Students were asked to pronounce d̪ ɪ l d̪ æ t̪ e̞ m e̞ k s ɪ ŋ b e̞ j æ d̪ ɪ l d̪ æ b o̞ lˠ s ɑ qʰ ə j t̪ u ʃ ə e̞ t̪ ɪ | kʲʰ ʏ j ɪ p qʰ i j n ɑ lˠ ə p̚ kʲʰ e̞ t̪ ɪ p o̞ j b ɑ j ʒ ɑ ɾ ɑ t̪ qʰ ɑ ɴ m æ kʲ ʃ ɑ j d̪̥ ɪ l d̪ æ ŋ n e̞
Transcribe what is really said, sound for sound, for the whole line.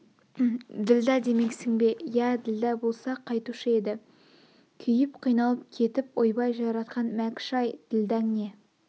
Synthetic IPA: d̪ ɪ l d̪ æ d̪ e̞ m e̞ k s ɪ ŋ b e̞ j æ d̪ ɪ l d̪ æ b o̞ lˠ s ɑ qʰ ɑ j t̪ u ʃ ə e̞ d̪ ɪ | kʲʰ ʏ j ɪ p qʰ i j n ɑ lˠ ə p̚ kʲʰ e̞ t̪ ɪ p o̞ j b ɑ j ʒ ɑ ɾ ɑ t̪ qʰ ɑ n m æ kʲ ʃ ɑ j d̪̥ ɪ l d̪ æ ŋ n e̞

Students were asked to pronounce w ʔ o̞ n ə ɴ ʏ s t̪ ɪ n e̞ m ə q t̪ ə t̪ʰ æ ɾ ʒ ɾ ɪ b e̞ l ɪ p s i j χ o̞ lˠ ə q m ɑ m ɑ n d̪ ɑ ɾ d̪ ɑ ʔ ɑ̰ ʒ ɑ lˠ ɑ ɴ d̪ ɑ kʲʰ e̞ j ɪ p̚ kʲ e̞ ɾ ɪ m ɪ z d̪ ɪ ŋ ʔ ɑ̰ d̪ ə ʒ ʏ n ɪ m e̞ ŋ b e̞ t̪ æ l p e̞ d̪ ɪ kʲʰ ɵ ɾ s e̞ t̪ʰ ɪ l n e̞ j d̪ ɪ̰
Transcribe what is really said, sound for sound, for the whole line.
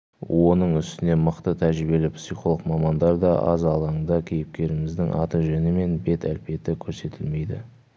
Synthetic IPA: w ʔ o̞ n ə ɴ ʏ s t̪ ɪ n e̞ m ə q t̪ ə t̪ʰ æ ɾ ʒ ɾ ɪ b e̞ l ɪ p s i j χ o̞ lˠ ə q m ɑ m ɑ n d̪ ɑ ɾ d̪ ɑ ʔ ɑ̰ z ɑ lˠ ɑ ɴ d̪ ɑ kʲʰ e̞ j ɪ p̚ kʲ e̞ ɾ ɪ m ɪ z d̪ ɪ ŋ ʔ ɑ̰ t̪ ə ʒ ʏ n ɪ m e̞ n b e̞ t̪ æ l p e̞ t̪ ɪ kʲʰ ɵ ɾ s e̞ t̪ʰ ɪ l m e̞ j d̪ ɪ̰

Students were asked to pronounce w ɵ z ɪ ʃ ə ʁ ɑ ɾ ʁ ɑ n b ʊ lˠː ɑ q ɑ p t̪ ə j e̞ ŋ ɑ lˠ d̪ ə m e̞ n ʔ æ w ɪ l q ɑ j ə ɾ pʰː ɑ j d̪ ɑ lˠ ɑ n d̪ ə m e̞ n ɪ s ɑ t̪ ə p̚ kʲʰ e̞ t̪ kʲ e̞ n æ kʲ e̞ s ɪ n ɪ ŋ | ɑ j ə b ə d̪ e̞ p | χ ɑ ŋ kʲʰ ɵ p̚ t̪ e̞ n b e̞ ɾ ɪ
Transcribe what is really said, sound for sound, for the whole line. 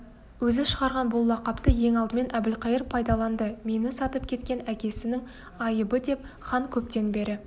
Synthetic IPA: w ɵ z ɪ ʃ ə ʁ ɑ ɾ ʁ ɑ n b ʊ lˠː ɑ q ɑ p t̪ ə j e̞ ŋ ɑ lˠ d̪ ə m e̞ n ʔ æ b ɪ l q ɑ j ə ɾ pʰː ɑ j d̪ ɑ lˠ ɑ n d̪ ə m e̞ n ɪ s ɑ t̪ ə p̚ kʲʰ e̞ t̪ kʲ e̞ n æ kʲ e̞ s ɪ n ɪ ŋ | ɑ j ə b ə d̪ e̞ p | χ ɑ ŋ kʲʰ ɵ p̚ t̪ e̞ n b e̞ ɾ ɪ

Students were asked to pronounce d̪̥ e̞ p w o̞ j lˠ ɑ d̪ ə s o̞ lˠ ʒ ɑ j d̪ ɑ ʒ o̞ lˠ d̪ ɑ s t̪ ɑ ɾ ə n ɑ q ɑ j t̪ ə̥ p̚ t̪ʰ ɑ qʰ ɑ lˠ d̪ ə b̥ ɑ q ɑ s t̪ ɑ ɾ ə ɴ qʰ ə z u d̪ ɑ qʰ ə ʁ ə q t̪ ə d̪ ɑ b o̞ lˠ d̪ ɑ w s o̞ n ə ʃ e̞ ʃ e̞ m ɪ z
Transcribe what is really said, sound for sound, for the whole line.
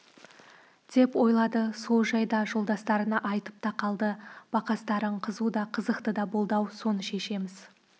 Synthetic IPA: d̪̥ e̞ p w o̞ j lˠ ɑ d̪ ə s o̞ lˠ ʒ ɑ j d̪ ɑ ʒ o̞ lˠ d̪ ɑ s t̪ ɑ ɾ ə n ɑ ʔ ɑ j t̪ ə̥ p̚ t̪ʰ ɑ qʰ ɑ lˠ d̪ ə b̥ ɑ q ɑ s t̪ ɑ ɾ ə ɴ qʰ ə z u d̪ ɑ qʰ ə z ə q t̪ ə d̪ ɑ b o̞ lˠ d̪ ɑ w s o̞ n ə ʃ e̞ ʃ e̞ m ɪ z

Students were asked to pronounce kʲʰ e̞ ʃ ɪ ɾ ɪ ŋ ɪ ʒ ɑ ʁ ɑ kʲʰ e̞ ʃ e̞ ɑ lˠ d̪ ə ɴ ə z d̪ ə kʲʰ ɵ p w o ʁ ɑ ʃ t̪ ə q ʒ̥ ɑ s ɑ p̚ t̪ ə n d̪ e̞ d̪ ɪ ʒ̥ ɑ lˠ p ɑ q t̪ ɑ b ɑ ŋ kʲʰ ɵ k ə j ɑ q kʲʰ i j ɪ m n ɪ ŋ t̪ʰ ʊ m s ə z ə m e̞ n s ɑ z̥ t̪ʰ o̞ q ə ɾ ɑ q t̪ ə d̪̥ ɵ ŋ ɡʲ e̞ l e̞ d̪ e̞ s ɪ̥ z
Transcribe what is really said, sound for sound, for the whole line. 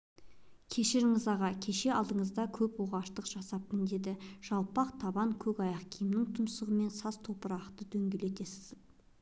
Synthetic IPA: kʲʰ e̞ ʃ ɪ ɾ ɪ ŋ ɪ z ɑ ʁ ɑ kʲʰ e̞ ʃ e̞ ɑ lˠ d̪ ə ɴ ə z d̪ ɑ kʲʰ ɵ p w o ʁ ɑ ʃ t̪ ə q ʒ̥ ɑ s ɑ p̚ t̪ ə n d̪ e̞ d̪ ɪ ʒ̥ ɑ lˠ p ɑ q t̪ʰ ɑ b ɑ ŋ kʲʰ ɵ k ɑ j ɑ q kʲʰ i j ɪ m n ɪ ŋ t̪ʰ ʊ m s ə ʁ ə m e̞ n s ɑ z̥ t̪ʰ o̞ p ə ɾ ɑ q t̪ ə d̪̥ ɵ ŋ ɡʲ e̞ l e̞ t̪ e̞ s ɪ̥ z

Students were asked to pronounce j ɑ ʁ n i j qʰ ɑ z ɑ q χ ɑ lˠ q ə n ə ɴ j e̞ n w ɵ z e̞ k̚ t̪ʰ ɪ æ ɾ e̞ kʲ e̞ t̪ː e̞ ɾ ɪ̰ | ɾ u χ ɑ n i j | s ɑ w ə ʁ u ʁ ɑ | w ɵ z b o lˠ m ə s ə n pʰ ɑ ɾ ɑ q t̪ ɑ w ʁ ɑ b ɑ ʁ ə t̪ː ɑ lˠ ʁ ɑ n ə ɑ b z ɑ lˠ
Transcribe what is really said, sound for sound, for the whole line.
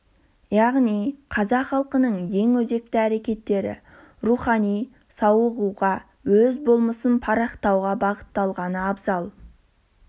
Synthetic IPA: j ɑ ʁ n i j qʰ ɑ z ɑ q χ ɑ lˠ q ə n ə ɴ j e̞ ŋ w ɵ z e̞ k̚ t̪ ɪ æ ɾ e̞ kʲ e̞ t̪ː e̞ ɾ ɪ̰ | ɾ u χ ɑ n i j | s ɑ w ə ʁ u ʁ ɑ | w ɵ z b o lˠ m ə s ə n pʰ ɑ ɾ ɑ q t̪ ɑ w ʁ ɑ b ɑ ʁ ə t̪ː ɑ lˠ ʁ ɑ n ə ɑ b z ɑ lˠ

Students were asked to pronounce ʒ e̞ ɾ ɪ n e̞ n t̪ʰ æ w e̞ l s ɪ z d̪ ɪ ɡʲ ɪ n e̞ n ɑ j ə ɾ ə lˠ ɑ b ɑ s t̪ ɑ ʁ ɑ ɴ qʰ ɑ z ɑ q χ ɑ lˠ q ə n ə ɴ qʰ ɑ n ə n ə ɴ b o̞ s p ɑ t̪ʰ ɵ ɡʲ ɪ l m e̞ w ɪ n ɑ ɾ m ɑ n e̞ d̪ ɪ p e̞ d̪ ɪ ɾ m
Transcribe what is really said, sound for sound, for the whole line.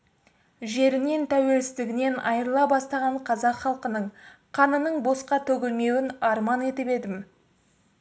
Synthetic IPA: ʒ e̞ ɾ ɪ n e̞ n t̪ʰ æ w e̞ l s ɪ z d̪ ɪ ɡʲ ɪ n e̞ n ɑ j ə ɾ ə lˠ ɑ b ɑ s t̪ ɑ ʁ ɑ ɴ qʰ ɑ z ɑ q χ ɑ lˠ q ə n ə ɴ qʰ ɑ n ə n ə ɴ b o̞ s q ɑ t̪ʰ ɵ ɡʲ ɪ l m e̞ w ɪ n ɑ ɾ m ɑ n e̞ t̪ ɪ p e̞ d̪ ɪ m

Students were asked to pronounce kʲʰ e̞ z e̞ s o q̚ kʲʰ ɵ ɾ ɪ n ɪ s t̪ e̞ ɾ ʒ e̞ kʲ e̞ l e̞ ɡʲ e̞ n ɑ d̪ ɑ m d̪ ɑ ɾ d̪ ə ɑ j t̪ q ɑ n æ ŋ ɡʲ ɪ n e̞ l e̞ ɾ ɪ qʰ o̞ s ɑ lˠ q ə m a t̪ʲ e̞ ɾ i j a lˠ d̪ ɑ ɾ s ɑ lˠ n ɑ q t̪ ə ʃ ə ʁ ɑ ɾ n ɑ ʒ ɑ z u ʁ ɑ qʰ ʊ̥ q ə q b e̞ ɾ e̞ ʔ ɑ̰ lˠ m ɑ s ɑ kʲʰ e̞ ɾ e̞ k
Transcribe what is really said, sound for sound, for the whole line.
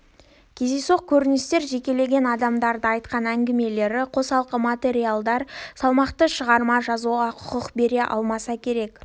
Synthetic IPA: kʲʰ e̞ z e̞ s o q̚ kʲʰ ɵ ɾ ɪ n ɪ s t̪ e̞ ɾ ʒ e̞ kʲ e̞ l e̞ ɡʲ e̞ n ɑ d̪ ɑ m d̪ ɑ ɾ d̪ ə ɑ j t̪ q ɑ n æ ŋ ɡʲ ɪ m e̞ l e̞ ɾ ɪ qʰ o̞ s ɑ lˠ q ə m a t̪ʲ e̞ ɾ i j a lˠ d̪ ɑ ɾ s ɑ lˠ m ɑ q t̪ ə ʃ ə ʁ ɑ ɾ m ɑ ʒ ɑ z u ʁ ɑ qʰ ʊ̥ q ə q b e̞ ɾ e̞ ʔ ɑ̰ lˠ m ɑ s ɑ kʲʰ e̞ ɾ e̞ k

